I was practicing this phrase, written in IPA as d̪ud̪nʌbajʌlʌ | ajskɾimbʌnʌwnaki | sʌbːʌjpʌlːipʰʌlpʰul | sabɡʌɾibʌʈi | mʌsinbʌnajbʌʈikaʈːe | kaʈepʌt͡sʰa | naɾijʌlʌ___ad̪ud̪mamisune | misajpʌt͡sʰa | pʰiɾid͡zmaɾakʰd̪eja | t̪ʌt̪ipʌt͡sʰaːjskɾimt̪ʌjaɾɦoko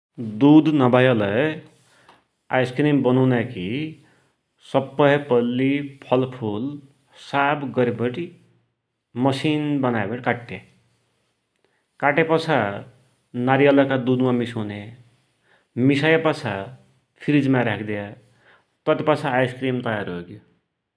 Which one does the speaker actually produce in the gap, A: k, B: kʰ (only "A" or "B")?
A